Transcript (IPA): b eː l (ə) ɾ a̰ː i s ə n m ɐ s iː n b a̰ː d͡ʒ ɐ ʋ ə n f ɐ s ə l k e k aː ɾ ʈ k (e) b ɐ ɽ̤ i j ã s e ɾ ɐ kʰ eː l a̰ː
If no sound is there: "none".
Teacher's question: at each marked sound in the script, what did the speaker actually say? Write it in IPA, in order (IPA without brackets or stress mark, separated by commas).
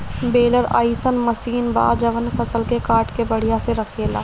ə, e